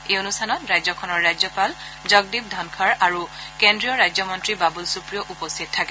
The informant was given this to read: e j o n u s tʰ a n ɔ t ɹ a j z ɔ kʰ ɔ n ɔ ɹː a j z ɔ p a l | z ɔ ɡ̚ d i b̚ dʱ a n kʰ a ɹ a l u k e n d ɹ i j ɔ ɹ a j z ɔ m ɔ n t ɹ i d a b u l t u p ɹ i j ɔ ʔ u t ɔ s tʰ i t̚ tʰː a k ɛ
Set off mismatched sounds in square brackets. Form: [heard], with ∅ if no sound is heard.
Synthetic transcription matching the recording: e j o n u s tʰ a n ɔ t ɹ a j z ɔ kʰ ɔ n ɔ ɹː a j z ɔ p a l | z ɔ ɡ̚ d i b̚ dʱ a n kʰ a ɹ a [ɹ] u k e n d ɹ i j ɔ ɹ a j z ɔ m ɔ n t ɹ i [b] a b u l [s] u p ɹ i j ɔ ʔ u [p] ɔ s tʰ i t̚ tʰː a k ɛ